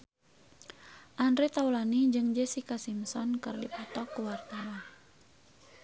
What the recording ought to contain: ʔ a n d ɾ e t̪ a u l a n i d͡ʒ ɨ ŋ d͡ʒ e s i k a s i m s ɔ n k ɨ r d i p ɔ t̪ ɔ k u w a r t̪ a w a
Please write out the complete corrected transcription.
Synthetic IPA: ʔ a n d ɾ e t̪ a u l a n i d͡ʒ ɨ ŋ d͡ʒ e s i k a s i m s ɔ n k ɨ r d i p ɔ t̪ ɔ k u w a r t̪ a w a